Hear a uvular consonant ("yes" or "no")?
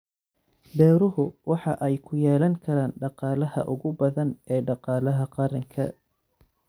yes